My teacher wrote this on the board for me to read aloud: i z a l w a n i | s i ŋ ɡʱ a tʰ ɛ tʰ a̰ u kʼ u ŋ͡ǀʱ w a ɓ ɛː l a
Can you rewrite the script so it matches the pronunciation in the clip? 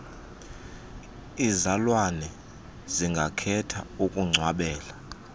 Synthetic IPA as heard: i z a l w a n ɛ | z i ŋ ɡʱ a kʰ ɛ tʰ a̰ u kʼ u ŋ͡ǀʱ w a ɓ ɛː l a